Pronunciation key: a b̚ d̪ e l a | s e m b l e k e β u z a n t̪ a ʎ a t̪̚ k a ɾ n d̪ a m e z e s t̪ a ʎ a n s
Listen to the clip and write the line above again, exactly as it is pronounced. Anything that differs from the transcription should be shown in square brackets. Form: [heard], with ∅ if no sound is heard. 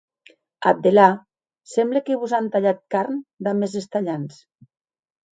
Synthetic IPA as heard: a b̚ d̪ e l a | s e m b l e k e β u z a n t̪ a ʎ a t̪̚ k a ɾ n d̪ a m e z e s t̪ a ʎ a n s